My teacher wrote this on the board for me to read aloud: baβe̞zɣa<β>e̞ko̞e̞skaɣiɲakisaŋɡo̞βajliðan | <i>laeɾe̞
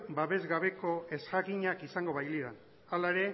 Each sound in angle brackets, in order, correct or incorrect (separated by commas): correct, incorrect